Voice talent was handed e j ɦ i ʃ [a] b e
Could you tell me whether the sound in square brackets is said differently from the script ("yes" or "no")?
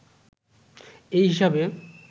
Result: no